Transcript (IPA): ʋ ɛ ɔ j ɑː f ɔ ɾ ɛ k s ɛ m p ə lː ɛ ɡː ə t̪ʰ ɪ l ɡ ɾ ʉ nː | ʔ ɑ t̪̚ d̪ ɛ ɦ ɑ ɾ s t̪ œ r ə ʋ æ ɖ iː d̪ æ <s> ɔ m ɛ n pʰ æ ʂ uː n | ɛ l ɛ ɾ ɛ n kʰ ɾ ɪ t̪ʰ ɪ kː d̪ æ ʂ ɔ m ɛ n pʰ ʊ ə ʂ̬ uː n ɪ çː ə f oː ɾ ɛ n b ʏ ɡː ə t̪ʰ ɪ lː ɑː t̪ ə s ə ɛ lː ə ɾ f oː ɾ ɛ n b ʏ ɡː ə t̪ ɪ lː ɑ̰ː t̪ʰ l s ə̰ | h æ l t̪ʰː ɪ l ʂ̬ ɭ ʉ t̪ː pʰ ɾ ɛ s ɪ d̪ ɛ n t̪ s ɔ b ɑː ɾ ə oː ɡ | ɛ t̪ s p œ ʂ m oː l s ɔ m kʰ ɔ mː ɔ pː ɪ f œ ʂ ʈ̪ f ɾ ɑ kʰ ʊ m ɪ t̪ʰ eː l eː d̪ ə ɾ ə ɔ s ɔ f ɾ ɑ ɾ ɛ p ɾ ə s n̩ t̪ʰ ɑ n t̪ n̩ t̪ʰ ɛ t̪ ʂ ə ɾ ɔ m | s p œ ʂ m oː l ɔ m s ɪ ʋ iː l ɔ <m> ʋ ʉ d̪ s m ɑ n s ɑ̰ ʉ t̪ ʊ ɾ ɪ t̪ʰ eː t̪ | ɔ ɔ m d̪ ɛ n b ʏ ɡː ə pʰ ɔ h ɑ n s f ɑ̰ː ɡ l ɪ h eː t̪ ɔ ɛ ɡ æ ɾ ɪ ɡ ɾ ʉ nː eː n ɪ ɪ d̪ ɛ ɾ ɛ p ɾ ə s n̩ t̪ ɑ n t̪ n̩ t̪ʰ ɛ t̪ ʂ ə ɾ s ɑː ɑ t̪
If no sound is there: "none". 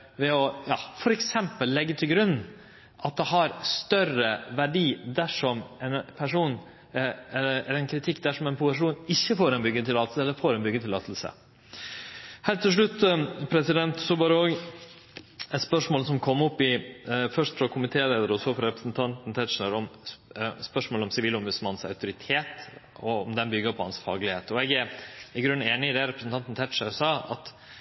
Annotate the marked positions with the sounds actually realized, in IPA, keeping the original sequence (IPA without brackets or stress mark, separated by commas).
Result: ʂ, m